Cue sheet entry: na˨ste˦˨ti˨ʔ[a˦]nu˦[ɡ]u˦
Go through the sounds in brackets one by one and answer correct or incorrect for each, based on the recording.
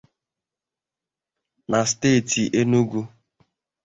incorrect, correct

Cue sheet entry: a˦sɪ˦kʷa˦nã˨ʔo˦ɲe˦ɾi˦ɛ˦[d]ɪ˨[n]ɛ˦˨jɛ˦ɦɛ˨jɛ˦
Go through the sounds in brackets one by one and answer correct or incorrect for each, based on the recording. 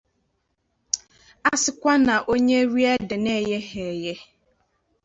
correct, correct

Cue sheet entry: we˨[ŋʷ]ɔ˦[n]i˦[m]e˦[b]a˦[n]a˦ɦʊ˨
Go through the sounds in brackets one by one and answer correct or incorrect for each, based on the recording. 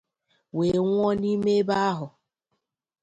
correct, correct, correct, correct, incorrect

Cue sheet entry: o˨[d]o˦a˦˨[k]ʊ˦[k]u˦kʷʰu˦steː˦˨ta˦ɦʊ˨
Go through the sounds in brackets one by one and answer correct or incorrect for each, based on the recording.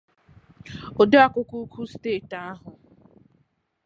correct, correct, correct

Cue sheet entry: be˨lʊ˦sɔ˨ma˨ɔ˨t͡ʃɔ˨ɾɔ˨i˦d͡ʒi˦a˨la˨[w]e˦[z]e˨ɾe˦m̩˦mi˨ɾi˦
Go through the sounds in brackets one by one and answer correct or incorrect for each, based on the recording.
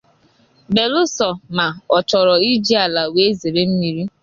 correct, correct

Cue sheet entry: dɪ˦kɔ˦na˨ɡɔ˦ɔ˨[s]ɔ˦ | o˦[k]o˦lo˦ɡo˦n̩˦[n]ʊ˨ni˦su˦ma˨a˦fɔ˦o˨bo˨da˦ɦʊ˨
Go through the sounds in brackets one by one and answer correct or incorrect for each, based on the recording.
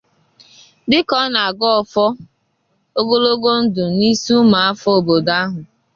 incorrect, incorrect, incorrect

